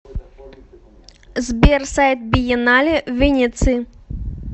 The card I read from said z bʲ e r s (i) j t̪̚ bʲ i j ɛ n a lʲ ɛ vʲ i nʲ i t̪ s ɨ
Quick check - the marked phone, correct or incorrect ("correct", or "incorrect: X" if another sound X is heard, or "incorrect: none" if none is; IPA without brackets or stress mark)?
incorrect: a